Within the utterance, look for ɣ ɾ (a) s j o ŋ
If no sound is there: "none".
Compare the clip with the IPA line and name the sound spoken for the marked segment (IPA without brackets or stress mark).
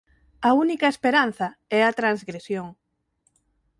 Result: e